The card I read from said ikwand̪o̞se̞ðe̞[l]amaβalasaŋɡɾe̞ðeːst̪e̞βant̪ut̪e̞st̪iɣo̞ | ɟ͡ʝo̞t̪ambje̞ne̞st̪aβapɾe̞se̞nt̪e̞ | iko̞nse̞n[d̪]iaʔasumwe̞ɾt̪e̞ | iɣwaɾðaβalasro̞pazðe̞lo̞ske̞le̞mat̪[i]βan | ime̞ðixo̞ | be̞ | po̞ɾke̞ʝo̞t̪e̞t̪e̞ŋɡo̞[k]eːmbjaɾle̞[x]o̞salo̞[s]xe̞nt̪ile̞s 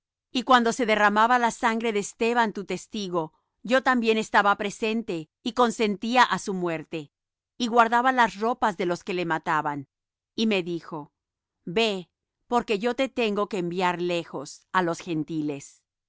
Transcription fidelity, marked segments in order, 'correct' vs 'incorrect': incorrect: r, incorrect: t̪, incorrect: a, correct, correct, correct

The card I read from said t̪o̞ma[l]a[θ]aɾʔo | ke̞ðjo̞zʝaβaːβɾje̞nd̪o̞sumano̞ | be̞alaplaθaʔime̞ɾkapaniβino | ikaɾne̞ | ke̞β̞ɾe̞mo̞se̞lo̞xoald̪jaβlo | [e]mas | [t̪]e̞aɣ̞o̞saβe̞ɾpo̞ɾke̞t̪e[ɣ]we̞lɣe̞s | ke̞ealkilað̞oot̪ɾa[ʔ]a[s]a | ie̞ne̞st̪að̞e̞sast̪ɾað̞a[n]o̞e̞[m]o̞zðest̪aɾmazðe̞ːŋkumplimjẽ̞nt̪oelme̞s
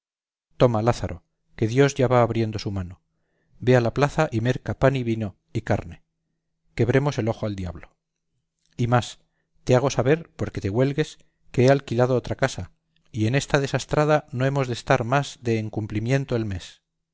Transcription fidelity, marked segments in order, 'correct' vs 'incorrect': correct, correct, incorrect: i, correct, correct, incorrect: k, correct, correct, correct

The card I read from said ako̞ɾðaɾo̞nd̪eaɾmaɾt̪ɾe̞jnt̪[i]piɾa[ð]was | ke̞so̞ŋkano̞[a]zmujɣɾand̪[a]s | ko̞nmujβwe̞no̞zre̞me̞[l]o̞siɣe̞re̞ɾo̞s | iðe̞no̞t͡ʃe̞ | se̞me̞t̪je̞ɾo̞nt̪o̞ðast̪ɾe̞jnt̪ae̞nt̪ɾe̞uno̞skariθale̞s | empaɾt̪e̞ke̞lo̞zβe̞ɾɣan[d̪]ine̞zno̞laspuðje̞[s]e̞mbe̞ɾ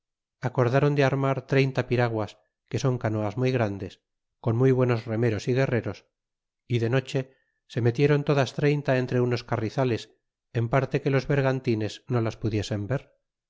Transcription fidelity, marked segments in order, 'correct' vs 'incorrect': incorrect: a, incorrect: ɣ, correct, incorrect: e, incorrect: ɾ, incorrect: t̪, correct

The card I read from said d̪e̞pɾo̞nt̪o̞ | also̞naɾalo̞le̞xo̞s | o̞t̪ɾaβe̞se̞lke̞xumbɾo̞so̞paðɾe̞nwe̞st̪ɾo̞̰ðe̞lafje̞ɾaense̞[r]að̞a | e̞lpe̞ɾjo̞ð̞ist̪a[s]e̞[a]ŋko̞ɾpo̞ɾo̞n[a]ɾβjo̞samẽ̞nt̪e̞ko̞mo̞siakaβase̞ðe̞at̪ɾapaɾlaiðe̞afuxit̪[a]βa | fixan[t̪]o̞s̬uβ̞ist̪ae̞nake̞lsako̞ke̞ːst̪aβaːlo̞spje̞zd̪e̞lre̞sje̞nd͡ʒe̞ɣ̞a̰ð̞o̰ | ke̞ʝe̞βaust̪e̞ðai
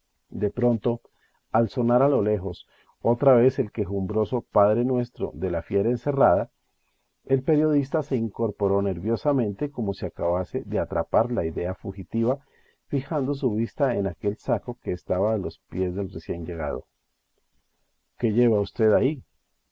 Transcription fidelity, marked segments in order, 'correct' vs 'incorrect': correct, correct, incorrect: i, incorrect: e, incorrect: i, incorrect: d̪

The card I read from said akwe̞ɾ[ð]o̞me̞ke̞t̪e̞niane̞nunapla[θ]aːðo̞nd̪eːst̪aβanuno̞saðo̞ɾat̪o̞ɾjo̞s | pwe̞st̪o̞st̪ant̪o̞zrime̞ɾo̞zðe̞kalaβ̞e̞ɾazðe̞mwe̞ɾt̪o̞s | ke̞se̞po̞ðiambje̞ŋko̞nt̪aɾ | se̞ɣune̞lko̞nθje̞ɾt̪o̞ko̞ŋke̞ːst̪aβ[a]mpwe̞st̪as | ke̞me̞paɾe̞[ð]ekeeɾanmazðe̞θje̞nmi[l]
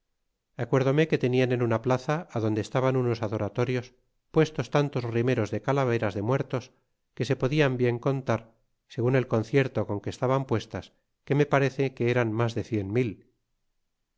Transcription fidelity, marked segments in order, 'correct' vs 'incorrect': correct, correct, correct, incorrect: θ, correct

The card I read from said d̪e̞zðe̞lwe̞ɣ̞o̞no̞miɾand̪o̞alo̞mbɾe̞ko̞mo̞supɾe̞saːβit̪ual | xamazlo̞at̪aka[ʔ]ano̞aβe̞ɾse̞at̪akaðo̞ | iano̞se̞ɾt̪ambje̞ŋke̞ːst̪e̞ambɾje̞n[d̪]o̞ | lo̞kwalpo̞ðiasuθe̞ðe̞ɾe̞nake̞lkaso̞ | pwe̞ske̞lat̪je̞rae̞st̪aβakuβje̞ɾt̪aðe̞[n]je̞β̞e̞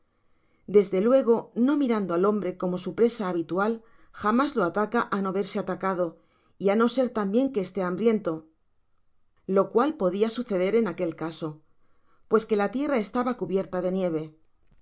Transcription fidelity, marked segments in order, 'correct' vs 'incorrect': correct, incorrect: t̪, correct

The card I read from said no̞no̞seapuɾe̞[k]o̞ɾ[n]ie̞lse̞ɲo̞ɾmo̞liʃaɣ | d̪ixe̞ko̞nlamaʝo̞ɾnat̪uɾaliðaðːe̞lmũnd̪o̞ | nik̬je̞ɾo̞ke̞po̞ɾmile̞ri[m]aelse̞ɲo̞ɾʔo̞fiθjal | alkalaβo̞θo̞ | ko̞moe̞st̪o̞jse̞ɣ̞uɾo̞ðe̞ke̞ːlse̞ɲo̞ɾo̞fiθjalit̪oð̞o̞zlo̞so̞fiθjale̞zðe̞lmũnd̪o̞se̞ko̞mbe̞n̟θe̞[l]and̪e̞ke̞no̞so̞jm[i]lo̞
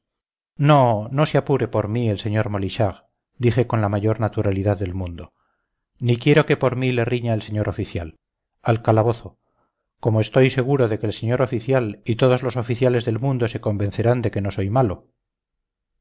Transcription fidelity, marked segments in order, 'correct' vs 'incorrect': incorrect: p, incorrect: m, incorrect: ɲ, incorrect: ɾ, incorrect: a

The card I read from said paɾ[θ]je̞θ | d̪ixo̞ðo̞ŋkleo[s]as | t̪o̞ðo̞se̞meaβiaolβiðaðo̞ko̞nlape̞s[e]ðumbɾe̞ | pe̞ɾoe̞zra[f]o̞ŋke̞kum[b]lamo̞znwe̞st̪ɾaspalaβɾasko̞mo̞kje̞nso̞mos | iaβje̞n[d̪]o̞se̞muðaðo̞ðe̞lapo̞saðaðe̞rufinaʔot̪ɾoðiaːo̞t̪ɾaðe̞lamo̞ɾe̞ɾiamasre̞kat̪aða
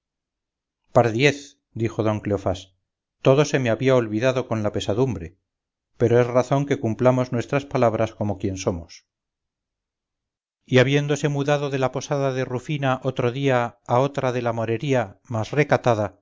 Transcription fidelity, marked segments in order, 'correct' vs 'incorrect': incorrect: ð, incorrect: f, incorrect: a, incorrect: θ, incorrect: p, correct

